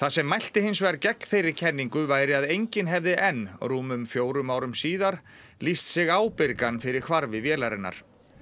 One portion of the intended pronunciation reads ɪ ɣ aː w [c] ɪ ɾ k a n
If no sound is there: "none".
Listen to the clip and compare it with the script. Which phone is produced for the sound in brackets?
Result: p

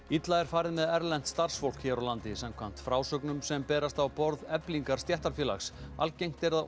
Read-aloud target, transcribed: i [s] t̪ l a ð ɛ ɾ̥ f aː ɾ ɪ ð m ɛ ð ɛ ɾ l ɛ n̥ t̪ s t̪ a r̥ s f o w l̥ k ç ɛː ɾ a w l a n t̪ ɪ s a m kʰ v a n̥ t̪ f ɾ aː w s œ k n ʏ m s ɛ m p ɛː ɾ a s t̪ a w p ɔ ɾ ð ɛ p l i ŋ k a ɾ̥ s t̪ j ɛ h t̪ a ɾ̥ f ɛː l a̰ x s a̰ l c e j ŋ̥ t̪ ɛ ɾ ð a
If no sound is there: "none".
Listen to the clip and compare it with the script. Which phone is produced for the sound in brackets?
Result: none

